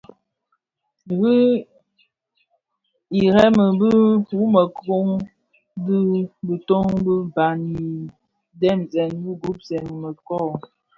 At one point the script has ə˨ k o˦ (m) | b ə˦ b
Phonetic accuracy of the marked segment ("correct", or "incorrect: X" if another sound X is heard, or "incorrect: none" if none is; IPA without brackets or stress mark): incorrect: ŋ